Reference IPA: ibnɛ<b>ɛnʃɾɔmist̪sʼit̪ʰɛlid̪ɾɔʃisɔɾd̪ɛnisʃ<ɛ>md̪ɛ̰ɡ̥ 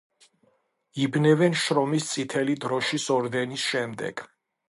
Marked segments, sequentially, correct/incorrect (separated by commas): incorrect, correct